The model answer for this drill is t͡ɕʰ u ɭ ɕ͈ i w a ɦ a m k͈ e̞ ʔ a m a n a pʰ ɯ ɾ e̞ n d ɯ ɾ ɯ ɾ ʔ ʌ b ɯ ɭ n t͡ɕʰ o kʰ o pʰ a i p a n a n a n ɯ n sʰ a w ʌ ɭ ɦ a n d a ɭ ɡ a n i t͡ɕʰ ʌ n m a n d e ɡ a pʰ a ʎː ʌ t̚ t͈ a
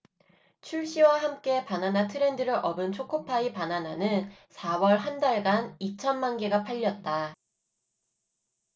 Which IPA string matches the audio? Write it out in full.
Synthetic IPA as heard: t͡ɕʰ u ɭ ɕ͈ i w a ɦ a m k͈ e̞ p a n a n a tʰ ɯ ɾ e̞ n d ɯ ɾ ɯ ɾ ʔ ʌ b ɯ n t͡ɕʰ o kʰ o pʰ a i p a n a n a n ɯ n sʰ a w ʌ ɭ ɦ a n d a ɭ ɡ a n i t͡ɕʰ ʌ n m a n ɡ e ɡ a pʰ a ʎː ʌ t̚ t͈ a